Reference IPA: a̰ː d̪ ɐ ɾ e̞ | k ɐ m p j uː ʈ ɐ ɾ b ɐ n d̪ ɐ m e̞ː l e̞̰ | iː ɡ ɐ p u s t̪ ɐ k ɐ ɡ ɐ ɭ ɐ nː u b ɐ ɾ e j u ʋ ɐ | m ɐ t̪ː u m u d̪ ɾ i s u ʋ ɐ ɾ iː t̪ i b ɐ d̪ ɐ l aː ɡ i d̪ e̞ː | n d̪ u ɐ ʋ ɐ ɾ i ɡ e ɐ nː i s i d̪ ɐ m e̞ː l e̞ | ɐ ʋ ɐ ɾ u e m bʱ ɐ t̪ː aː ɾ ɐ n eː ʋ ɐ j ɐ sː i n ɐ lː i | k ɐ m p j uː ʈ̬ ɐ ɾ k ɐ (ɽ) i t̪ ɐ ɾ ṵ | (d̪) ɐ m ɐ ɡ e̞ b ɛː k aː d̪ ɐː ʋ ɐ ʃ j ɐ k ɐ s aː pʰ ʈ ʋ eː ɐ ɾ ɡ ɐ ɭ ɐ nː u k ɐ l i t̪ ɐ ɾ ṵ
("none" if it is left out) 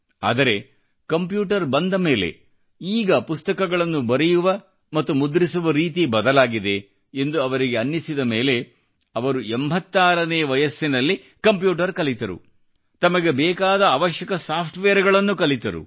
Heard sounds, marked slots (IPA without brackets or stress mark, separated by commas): l, t̪